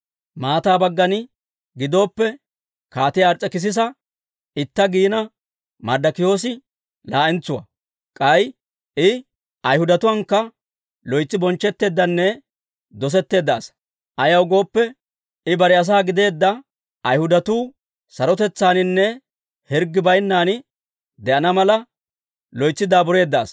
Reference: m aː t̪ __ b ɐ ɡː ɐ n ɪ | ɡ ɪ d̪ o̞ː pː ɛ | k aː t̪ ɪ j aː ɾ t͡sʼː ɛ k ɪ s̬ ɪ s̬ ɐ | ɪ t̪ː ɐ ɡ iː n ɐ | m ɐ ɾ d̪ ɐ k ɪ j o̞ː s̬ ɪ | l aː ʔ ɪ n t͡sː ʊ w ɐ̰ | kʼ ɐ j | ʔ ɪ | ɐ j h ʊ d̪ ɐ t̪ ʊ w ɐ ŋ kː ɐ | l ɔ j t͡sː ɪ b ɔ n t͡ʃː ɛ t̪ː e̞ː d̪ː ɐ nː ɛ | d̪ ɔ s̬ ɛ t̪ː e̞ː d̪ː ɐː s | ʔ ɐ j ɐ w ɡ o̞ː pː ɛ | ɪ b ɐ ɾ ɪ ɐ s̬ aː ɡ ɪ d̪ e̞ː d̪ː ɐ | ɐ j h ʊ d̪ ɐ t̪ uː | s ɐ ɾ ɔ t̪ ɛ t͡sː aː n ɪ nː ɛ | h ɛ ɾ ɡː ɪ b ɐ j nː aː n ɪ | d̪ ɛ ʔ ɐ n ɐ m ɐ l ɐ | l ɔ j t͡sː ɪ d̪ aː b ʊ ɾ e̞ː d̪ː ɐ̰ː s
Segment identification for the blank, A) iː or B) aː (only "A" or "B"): B